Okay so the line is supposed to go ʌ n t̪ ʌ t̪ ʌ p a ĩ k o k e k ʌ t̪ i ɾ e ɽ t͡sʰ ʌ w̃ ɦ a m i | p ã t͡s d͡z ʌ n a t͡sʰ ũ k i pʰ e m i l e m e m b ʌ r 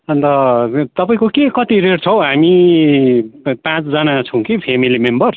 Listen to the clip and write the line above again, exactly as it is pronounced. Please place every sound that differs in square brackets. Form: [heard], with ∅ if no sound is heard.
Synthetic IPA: ʌ n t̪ ʌ t̪ ʌ p a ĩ k o k e k ʌ t̪ i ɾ e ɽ t͡sʰ ʌ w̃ ɦ a m i | p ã t͡s d͡z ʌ n a t͡sʰ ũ k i pʰ e m i l [i] m e m b ʌ r

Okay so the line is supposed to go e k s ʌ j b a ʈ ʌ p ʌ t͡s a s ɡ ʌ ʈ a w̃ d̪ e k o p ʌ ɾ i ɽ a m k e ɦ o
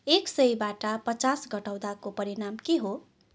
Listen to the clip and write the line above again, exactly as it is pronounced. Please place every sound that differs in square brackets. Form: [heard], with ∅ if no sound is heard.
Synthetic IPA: e k s ʌ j b a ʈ ʌ p ʌ t͡s a s ɡ ʌ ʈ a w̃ d̪ [a] k o p ʌ ɾ i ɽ a m k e ɦ o

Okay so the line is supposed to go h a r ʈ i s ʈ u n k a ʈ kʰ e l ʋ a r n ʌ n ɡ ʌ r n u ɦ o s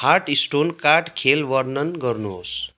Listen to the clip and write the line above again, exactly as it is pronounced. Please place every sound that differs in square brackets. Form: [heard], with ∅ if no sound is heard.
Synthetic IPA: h a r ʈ i s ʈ [o] n k a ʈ kʰ e l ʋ [ʌ] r n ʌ n ɡ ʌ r n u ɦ o s

